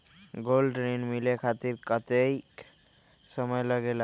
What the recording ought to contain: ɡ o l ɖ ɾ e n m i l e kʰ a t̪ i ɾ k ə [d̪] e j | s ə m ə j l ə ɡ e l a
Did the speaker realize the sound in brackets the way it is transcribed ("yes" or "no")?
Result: no